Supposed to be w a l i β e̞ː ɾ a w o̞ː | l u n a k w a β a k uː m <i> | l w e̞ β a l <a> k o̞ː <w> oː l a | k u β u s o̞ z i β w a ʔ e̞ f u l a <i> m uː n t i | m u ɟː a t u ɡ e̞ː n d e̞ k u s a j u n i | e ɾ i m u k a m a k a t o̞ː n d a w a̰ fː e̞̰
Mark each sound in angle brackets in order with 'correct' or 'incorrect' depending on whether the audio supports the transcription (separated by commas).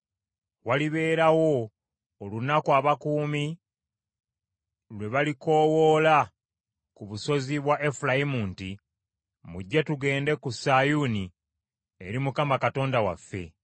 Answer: correct, incorrect, correct, correct